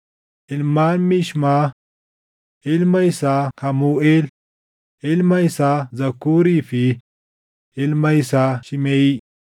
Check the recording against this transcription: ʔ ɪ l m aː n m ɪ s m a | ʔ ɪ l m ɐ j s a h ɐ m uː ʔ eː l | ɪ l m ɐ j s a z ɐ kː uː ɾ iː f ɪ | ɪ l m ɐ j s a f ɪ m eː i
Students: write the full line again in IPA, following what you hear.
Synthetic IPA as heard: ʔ ɪ l m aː n m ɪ ʃ m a | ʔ ɪ l m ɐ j s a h ɐ m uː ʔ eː l | ɪ l m ɐ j s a z ɐ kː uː ɾ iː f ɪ | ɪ l m ɐ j s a ʃ ɪ m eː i